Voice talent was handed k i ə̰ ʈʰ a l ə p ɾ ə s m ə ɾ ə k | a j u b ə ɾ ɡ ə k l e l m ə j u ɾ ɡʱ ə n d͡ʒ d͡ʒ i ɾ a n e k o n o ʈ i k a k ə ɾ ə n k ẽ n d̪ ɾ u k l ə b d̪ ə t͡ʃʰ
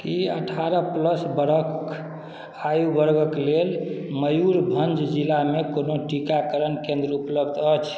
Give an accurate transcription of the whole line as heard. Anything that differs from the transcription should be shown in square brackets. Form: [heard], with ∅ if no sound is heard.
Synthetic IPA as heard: k i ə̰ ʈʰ a [ɾ] ə p [l] ə s [b] ə ɾ ə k | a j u b ə ɾ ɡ ə k l e l m ə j u ɾ [bʱ] ə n d͡ʒ d͡ʒ i [l] a [m] e k o n o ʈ i k a k ə ɾ ə n k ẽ n d̪ ɾ u [p] l ə b d̪ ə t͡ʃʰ

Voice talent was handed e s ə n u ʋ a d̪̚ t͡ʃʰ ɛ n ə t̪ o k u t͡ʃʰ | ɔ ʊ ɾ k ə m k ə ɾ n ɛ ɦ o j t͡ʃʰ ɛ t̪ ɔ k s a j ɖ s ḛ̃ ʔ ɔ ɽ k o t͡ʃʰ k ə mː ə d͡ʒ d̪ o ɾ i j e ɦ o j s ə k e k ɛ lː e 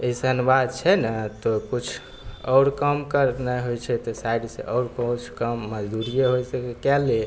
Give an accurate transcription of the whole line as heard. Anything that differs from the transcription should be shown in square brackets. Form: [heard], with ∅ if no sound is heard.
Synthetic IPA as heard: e s ə n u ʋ a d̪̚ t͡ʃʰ ɛ n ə t̪ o k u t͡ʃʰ | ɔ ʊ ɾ k ə m k ə ɾ n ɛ ɦ o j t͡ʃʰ ɛ t̪ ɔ [∅] s a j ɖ s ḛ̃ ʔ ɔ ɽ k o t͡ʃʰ k ə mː ə d͡ʒ d̪ [u] ɾ i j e ɦ o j s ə k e k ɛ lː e

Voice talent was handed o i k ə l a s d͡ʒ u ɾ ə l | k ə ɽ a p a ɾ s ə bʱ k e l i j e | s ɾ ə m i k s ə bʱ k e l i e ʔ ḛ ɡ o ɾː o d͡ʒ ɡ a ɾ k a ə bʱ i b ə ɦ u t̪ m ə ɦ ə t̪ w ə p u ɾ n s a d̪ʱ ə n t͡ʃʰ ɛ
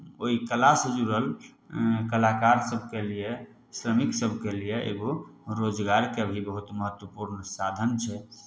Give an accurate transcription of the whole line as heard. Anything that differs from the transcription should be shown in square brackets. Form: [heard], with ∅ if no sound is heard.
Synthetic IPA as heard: o i k ə l a s d͡ʒ u ɾ ə l | k ə [l] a [k] a ɾ s ə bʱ k e l i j e | s ɾ ə m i k s ə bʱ k e l i e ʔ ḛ ɡ o [ɾ] o d͡ʒ ɡ a ɾ k [e] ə bʱ i b ə ɦ u t̪ m ə ɦ ə t̪ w ə p u ɾ n s a d̪ʱ ə n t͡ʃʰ ɛ

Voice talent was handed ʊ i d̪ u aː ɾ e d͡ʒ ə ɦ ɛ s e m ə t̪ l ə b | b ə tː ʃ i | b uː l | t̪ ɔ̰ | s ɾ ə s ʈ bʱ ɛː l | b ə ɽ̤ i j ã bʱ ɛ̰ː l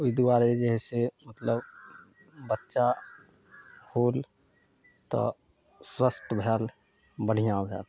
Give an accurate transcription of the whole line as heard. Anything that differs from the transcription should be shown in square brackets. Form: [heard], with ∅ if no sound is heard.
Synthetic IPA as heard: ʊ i d̪ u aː ɾ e d͡ʒ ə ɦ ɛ s e m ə t̪ l ə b | b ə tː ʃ [a] | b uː l | t̪ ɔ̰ | s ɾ ə s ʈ bʱ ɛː l | b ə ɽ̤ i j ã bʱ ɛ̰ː l

